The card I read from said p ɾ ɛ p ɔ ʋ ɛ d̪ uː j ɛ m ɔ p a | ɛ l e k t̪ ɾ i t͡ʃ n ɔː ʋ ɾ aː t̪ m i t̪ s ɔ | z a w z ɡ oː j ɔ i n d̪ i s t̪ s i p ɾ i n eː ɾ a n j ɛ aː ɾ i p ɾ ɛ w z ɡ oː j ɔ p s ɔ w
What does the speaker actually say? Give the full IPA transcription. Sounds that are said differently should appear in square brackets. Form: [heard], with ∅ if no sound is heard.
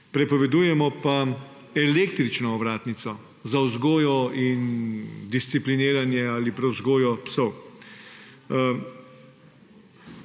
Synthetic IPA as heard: p ɾ ɛ p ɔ ʋ ɛ d̪ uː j ɛ m ɔ p a | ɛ l e k t̪ ɾ i t͡ʃ n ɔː ʋ ɾ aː t̪ [n] i t̪ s ɔ | z a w z ɡ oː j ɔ i n d̪ i s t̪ s i p [l] i n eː ɾ a n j ɛ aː [l] i p ɾ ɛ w z ɡ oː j ɔ p s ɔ w

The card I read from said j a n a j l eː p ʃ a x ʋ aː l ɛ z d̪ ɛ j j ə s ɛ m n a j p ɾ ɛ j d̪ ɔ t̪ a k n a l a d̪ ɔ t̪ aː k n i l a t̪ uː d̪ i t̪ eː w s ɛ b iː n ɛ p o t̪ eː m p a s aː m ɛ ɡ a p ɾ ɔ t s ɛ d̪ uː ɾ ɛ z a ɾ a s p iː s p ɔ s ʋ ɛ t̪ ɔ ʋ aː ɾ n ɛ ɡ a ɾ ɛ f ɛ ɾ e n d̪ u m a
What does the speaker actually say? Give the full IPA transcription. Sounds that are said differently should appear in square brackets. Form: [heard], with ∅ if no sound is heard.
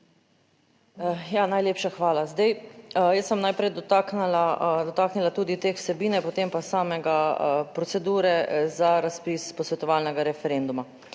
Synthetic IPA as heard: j a n a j l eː p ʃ a x ʋ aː l [a] z d̪ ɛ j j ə s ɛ m n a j p ɾ ɛ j d̪ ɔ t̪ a k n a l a d̪ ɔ t̪ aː k n i l a t̪ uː d̪ i t̪ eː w s ɛ b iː n ɛ p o t̪ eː m p a s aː m ɛ ɡ a p ɾ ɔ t s ɛ d̪ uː ɾ ɛ z a ɾ a s p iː s p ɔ s ʋ ɛ t̪ ɔ ʋ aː [l] n ɛ ɡ a ɾ ɛ f ɛ ɾ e n d̪ u m a

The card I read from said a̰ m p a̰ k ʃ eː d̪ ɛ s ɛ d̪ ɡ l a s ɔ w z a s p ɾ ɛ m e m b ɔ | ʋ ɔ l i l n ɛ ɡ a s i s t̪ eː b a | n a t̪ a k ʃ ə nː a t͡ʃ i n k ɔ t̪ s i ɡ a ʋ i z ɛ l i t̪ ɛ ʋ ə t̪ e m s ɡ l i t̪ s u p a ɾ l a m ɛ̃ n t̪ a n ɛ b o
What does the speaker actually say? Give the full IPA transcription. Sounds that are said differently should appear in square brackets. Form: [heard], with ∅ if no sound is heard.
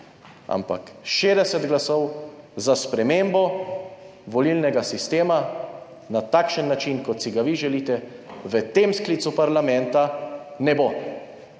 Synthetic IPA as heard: a̰ m p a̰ k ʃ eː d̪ ɛ s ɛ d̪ ɡ l a s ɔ w z a s p ɾ ɛ m e m b ɔ | ʋ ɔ l i l n ɛ ɡ a s i s t̪ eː [m] a | n a t̪ a k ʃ ə nː a t͡ʃ i n k ɔ t̪ s i ɡ a ʋ i [ʒ] ɛ l i t̪ ɛ ʋ ə t̪ e m s [k] l i t̪ s u p a ɾ l a m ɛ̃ n t̪ a n ɛ b o

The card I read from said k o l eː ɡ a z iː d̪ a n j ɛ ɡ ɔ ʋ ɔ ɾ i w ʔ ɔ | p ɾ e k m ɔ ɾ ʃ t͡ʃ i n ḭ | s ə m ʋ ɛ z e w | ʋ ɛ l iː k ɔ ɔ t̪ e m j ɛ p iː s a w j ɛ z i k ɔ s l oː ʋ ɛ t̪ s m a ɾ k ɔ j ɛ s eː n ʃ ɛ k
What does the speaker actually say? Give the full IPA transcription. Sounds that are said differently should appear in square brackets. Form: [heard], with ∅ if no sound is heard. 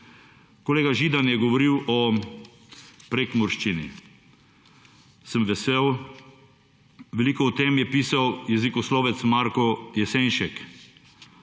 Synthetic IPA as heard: k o l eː ɡ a [ʒ] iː d̪ a n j ɛ ɡ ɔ ʋ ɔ ɾ i w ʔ ɔ | p ɾ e k m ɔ ɾ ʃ t͡ʃ i n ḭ | s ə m ʋ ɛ [s] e w | ʋ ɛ l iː k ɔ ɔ t̪ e m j ɛ p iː s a w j ɛ z i k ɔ s l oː ʋ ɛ t̪ s m a ɾ k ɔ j ɛ s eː n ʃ ɛ k

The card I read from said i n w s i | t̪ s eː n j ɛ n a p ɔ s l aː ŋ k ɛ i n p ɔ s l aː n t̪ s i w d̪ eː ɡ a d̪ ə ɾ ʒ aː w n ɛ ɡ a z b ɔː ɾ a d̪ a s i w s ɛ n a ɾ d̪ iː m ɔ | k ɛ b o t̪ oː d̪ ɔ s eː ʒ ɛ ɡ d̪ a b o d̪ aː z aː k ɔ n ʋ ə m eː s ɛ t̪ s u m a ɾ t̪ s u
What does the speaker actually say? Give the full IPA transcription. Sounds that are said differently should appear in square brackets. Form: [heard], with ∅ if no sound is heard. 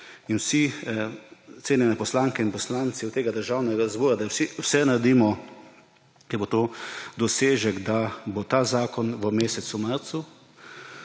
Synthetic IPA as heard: i n w s i | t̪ s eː n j ɛ n [ɛ] p ɔ s l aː ŋ k ɛ i n p ɔ s l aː n t̪ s i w [t̪] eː ɡ a d̪ ə ɾ ʒ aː w n ɛ ɡ a z b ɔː ɾ a d̪ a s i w s ɛ n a ɾ d̪ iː m ɔ | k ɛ b o t̪ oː d̪ ɔ s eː ʒ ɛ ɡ d̪ a b o [t̪] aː z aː k ɔ n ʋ ə m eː s ɛ t̪ s u m a ɾ t̪ s u

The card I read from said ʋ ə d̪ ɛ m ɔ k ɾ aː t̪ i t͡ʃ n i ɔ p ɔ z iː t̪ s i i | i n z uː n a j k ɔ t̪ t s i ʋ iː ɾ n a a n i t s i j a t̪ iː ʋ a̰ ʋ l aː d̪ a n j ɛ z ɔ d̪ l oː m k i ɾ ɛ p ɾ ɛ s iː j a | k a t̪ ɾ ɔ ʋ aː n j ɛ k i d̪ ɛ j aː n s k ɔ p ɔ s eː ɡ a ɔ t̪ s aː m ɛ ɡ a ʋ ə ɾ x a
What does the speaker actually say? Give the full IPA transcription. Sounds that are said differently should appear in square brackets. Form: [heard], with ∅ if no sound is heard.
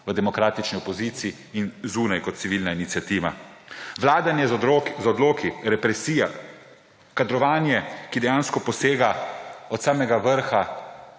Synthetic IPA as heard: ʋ ə d̪ ɛ m ɔ k ɾ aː t̪ i t͡ʃ n i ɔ p ɔ z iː t̪ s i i | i n z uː n a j k ɔ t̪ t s i ʋ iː [l] n a [i] n i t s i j a t̪ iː ʋ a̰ ʋ l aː d̪ a n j ɛ z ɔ d̪ l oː [∅] k i ɾ ɛ p ɾ ɛ s iː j a | k a [d̪] ɾ ɔ ʋ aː n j ɛ k i d̪ ɛ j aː n s k ɔ p ɔ s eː ɡ a ɔ t̪ s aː m ɛ ɡ a ʋ ə ɾ x a

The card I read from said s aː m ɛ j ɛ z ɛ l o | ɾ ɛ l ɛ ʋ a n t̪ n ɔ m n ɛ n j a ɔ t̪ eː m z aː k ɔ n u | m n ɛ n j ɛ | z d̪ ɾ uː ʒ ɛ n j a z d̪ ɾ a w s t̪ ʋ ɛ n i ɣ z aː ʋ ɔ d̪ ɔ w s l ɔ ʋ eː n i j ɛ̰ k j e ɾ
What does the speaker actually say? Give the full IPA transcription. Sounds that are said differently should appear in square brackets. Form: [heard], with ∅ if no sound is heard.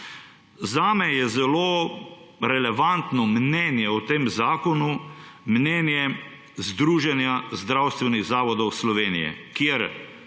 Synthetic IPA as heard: [z] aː m ɛ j ɛ z ɛ l o | ɾ ɛ l ɛ ʋ a n t̪ n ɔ m n ɛ n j [ɛ] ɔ t̪ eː m z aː k ɔ n u | m n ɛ n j ɛ | z d̪ ɾ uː ʒ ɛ n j a z d̪ ɾ a w s t̪ ʋ ɛ n i ɣ z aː ʋ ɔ d̪ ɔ w s l ɔ ʋ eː n i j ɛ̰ k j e ɾ

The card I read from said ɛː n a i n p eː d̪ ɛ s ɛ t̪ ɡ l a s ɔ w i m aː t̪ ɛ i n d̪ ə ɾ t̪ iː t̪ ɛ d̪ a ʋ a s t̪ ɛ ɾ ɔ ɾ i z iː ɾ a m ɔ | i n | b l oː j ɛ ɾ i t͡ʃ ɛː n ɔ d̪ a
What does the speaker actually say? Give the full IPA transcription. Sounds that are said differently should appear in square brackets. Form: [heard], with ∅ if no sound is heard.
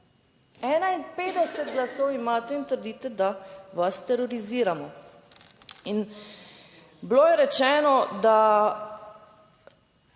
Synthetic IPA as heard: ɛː n a i n p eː d̪ ɛ s ɛ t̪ ɡ l a s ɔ w i m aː t̪ ɛ i n [t̪] ə ɾ [d̪] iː t̪ ɛ d̪ a ʋ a s t̪ ɛ ɾ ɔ ɾ i z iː ɾ a m ɔ | i n | b l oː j ɛ ɾ [ɛ] t͡ʃ ɛː n ɔ d̪ a

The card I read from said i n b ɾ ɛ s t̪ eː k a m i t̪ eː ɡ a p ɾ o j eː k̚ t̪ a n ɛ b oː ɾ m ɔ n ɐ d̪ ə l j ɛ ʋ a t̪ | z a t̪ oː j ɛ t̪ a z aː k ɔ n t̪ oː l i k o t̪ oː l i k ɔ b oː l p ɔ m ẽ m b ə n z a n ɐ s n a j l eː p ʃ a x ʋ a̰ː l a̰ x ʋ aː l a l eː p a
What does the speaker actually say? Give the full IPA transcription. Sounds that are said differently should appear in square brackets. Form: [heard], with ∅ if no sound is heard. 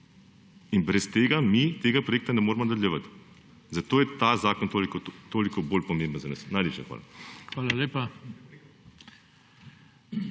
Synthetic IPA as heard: i n b ɾ ɛ s t̪ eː [ɡ] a m i t̪ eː ɡ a p ɾ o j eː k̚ t̪ a n ɛ [m] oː ɾ m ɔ n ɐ d̪ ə l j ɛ ʋ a t̪ | z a t̪ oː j ɛ t̪ a z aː k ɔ n t̪ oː l i k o t̪ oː l i k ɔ b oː l p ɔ m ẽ m b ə n z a n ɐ s n a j l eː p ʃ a x ʋ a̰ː l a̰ x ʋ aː l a l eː p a

